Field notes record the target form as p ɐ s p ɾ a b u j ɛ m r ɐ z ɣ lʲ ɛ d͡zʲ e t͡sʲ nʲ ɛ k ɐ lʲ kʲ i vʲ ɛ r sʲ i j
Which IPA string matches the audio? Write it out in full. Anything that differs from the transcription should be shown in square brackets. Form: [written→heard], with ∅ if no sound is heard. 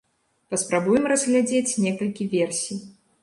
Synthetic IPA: p ɐ s p ɾ a b u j ɛ m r ɐ z ɣ lʲ [ɛ→a] d͡zʲ e t͡sʲ nʲ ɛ k ɐ lʲ kʲ i vʲ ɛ r sʲ i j